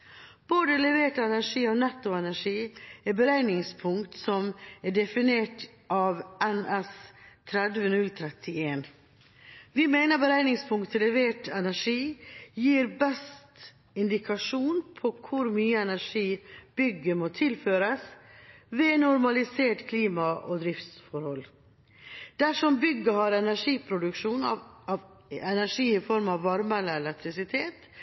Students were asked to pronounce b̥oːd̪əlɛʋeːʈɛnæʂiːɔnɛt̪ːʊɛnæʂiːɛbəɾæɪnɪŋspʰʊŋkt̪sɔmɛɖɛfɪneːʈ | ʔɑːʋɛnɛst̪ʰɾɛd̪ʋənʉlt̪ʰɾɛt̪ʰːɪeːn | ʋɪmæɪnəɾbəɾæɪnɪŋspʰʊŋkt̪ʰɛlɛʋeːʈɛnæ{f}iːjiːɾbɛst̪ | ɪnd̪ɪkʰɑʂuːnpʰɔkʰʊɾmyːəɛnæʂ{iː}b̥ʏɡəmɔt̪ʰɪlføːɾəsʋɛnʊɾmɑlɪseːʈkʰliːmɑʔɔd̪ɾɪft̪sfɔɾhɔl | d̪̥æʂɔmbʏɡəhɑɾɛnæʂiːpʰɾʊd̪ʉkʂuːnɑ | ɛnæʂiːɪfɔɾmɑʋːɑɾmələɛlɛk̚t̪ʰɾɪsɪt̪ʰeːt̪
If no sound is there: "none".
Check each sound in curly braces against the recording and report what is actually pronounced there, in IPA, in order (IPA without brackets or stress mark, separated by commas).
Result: ʂ, iː